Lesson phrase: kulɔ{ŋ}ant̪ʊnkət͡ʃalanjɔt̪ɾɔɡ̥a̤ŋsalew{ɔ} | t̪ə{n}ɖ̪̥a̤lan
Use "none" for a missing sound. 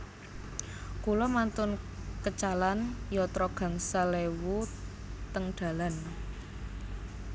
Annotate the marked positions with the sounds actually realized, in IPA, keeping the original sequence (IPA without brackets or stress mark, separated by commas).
m, u, ŋ